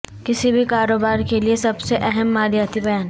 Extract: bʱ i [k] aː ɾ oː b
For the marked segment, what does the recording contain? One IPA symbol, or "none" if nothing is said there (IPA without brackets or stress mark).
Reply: k